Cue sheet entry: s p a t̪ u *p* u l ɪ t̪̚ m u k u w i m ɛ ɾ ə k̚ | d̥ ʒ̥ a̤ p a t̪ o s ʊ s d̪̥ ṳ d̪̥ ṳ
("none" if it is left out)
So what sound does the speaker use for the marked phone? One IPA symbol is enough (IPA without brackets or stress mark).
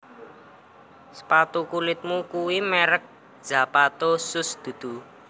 k